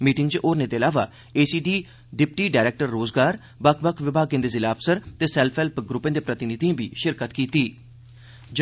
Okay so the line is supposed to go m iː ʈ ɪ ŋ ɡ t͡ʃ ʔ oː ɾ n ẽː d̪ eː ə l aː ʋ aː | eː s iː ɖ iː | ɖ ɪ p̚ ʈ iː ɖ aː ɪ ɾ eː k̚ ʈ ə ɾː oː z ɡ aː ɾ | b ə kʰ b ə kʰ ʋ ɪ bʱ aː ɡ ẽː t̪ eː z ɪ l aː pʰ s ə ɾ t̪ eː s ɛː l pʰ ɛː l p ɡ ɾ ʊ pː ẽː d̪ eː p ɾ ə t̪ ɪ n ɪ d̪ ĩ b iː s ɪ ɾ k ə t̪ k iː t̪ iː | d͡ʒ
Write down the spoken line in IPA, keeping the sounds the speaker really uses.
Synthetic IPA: m iː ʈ ɪ ŋ ɡ t͡ʃ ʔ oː ɾ n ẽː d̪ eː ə l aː ʋ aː | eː s iː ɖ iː | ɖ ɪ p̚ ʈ iː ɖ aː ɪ ɾ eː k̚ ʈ ə ɾː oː z ɡ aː ɾ | b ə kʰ b ə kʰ ʋ ɪ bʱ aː ɡ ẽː d̪ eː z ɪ l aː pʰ s ə ɾ t̪ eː s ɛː l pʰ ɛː l p ɡ ɾ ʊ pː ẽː d̪ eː p ɾ ə t̪ ɪ n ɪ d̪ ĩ b iː ʃ ɪ ɾ k ə t̪ k iː t̪ iː | d͡ʒ